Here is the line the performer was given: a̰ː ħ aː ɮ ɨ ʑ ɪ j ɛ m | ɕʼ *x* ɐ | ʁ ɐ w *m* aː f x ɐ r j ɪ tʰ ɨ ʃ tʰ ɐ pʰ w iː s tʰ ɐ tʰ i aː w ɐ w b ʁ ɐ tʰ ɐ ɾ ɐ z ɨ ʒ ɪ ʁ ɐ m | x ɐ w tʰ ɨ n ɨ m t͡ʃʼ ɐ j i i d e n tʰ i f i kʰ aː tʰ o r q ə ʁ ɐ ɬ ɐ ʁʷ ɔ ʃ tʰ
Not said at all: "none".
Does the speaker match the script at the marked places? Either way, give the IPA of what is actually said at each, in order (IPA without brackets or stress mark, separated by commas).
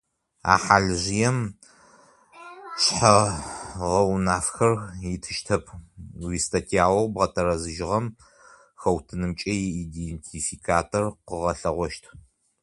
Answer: ħ, n